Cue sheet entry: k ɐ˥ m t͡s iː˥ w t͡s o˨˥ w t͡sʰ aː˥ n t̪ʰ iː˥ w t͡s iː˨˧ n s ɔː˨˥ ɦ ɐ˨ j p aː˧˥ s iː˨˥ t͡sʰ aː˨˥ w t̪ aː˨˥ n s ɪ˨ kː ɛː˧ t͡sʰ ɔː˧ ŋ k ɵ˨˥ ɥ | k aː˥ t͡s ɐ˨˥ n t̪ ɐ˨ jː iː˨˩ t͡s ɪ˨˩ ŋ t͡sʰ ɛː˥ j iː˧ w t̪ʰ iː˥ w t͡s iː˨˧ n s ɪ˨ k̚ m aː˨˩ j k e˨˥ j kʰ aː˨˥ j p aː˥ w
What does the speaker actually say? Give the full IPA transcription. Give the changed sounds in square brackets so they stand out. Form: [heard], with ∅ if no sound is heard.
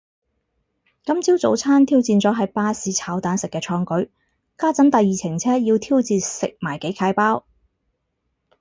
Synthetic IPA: k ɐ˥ m t͡s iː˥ w t͡s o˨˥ w t͡sʰ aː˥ n t̪ʰ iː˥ w t͡s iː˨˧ n [t͡s] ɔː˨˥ ɦ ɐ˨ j p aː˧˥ s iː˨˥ t͡sʰ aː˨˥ w t̪ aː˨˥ n s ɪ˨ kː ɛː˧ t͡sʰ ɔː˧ ŋ k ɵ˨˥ ɥ | k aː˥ t͡s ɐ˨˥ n t̪ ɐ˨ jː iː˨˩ [t͡sʰ] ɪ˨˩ ŋ t͡sʰ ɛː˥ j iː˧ w t̪ʰ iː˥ w t͡s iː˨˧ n s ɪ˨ k̚ m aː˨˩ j k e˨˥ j kʰ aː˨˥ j p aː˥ w